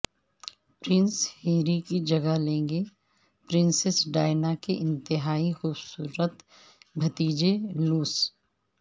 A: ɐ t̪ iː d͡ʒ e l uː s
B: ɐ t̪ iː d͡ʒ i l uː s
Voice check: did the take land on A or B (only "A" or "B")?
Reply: A